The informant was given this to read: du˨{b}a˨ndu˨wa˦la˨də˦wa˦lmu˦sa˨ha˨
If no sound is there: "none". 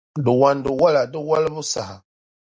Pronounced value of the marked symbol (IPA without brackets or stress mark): w